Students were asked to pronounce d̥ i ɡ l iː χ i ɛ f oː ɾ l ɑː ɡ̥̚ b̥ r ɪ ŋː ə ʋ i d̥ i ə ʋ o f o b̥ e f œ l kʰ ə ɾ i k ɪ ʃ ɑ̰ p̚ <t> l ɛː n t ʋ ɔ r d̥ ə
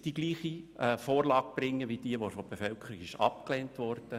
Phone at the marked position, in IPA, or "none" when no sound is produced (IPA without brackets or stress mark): k